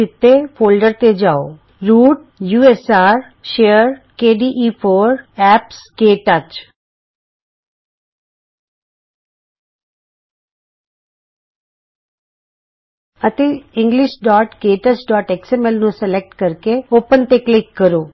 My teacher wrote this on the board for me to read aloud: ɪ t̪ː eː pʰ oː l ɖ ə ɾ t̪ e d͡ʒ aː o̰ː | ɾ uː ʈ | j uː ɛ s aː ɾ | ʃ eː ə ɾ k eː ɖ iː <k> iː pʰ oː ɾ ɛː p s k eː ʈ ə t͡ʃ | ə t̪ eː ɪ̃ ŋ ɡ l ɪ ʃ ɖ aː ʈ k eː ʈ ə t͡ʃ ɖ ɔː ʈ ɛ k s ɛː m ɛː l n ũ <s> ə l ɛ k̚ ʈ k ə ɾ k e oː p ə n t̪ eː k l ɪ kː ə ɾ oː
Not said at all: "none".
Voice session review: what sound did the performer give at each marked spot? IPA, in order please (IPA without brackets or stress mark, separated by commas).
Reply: ʔ, s